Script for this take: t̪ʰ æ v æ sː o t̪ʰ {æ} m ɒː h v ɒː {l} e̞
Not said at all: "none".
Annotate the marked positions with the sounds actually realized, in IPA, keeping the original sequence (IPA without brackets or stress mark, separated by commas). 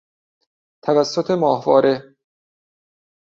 e, ɾ